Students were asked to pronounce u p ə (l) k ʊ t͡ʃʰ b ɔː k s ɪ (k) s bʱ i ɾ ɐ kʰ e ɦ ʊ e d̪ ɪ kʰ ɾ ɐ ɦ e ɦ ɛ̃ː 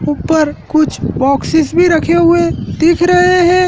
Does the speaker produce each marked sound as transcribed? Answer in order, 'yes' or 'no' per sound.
no, no

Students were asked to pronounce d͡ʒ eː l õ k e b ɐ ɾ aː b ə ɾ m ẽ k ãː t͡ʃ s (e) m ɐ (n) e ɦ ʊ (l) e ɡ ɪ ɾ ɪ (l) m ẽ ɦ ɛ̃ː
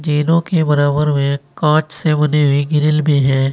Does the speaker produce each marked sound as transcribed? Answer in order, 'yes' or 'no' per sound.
yes, yes, no, yes

